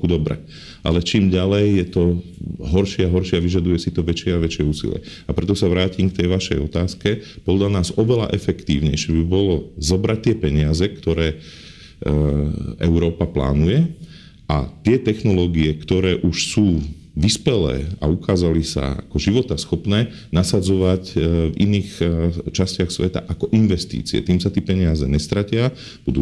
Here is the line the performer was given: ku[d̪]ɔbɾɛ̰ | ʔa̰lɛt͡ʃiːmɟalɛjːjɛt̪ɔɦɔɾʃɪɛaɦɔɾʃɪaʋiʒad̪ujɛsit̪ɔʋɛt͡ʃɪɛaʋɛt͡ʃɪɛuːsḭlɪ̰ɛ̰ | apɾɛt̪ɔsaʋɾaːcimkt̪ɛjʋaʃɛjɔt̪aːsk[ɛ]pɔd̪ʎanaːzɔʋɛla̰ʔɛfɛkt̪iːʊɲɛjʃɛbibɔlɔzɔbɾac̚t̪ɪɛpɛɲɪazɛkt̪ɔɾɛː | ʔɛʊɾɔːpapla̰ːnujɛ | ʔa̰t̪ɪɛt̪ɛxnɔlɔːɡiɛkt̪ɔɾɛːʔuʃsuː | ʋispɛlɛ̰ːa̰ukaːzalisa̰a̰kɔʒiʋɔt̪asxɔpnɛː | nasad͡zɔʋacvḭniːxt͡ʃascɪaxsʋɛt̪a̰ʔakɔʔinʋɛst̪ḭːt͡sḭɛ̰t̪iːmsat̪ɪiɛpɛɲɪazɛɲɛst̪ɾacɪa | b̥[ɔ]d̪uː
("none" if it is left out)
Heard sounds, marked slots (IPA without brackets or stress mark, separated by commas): d̪, ɛ, u